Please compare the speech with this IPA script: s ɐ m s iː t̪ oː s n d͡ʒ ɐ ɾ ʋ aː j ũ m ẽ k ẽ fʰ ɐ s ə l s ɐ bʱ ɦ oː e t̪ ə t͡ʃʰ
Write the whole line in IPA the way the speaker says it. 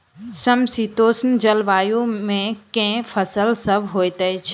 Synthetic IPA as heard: s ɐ m s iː t̪ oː s n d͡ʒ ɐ l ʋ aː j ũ m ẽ k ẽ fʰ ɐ s ə l s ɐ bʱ ɦ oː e t̪ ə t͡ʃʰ